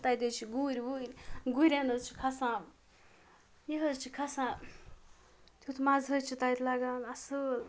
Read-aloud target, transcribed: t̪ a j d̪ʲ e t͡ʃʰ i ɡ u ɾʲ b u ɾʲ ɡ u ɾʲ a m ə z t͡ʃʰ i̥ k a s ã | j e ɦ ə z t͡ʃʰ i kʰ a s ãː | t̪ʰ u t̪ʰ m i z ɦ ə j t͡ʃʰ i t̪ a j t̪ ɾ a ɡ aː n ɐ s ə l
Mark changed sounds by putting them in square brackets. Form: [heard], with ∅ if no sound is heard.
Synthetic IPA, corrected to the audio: t̪ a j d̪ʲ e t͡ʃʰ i ɡ u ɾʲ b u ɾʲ ɡ u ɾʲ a [n] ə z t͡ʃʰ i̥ [kʰ] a s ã | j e ɦ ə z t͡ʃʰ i kʰ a s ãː | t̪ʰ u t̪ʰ m [a] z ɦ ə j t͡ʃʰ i t̪ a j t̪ [l] a ɡ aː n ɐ s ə l